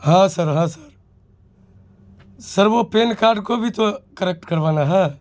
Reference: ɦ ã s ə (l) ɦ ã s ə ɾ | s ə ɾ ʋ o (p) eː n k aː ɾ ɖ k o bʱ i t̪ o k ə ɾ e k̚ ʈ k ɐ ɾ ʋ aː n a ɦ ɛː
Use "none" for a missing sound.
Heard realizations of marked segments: ɾ, p

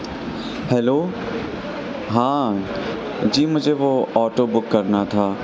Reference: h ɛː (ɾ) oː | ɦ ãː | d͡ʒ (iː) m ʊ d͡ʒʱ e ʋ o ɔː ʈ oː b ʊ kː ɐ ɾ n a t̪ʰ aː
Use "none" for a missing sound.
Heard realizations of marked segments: l, iː

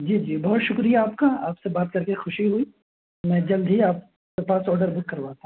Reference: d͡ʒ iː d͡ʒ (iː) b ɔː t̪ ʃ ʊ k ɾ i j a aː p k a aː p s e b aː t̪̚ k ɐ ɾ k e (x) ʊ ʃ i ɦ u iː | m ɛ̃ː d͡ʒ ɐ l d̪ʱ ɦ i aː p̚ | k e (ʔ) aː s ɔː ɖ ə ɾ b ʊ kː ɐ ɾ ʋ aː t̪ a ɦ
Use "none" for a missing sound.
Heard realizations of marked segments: iː, x, p

